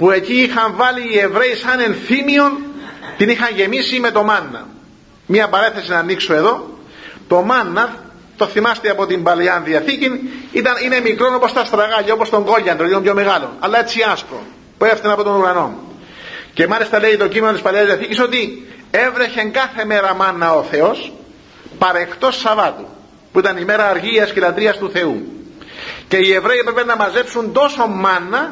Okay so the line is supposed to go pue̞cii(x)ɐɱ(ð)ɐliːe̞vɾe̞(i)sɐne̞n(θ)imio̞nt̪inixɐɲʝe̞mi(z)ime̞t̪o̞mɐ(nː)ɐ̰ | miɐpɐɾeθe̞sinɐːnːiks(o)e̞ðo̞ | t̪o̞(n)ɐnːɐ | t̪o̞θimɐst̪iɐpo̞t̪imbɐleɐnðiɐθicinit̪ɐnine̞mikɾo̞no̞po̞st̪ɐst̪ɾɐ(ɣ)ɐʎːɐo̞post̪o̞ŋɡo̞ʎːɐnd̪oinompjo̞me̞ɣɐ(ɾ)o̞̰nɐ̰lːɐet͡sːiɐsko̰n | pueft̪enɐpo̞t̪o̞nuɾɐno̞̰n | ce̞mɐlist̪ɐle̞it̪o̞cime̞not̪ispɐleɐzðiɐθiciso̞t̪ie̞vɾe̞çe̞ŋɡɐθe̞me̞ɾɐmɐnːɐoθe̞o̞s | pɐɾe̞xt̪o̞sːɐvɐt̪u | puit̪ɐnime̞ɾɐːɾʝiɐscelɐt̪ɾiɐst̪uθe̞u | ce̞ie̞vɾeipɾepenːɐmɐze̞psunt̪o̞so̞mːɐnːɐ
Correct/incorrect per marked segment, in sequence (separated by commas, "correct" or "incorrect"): correct, incorrect, correct, correct, incorrect, correct, correct, incorrect, correct, incorrect